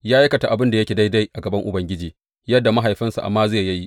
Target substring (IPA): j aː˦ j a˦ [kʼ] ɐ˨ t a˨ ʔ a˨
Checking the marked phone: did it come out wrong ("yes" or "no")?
yes